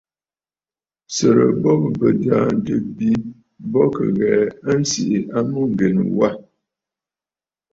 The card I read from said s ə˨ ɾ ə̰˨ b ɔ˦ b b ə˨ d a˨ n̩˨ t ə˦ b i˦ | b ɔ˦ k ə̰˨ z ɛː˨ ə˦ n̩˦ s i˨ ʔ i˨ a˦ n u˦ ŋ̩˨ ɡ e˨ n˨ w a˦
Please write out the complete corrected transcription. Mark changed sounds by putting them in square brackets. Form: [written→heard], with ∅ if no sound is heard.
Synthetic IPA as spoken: s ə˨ ɾ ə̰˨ b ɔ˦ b b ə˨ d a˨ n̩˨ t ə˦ b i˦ | b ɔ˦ k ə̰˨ [z→ɣ] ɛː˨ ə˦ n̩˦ s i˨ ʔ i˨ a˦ [n→m] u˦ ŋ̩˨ ɡ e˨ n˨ w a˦